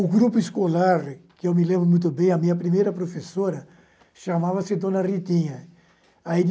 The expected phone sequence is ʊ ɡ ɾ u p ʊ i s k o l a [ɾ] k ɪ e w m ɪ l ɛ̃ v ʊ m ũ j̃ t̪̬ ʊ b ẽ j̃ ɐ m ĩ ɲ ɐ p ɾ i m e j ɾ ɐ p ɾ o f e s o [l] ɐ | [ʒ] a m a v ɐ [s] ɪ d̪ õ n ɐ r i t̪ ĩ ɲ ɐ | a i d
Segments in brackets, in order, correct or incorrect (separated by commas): correct, incorrect, incorrect, correct